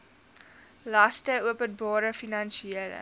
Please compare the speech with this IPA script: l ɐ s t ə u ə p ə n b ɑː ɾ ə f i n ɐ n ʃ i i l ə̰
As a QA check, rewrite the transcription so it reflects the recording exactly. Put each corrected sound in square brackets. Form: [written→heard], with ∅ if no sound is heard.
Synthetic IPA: l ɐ s t ə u ə p ə n b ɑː ɾ ə f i n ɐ n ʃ i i l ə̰